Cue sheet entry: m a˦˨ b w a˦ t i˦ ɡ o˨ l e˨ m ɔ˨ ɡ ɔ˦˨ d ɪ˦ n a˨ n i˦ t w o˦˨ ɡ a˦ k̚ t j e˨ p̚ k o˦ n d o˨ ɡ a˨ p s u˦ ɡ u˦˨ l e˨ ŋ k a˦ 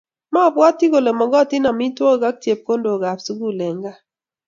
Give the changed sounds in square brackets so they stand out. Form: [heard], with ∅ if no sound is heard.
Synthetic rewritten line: m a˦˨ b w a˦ t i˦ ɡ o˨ l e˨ m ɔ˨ ɡ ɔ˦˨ [t] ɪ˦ n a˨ [m] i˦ t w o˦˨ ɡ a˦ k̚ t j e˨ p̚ k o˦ n d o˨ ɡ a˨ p s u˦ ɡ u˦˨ l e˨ ŋ [ɡ] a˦